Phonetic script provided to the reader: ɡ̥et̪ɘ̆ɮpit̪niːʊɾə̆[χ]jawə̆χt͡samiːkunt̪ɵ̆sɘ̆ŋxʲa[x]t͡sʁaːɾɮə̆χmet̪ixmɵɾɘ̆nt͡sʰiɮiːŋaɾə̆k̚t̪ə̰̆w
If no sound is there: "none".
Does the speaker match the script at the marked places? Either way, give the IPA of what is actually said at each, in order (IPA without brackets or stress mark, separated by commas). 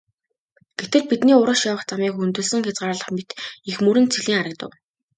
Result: ʃ, none